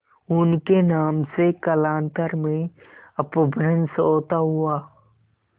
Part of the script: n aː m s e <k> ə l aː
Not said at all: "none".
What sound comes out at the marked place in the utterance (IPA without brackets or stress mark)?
k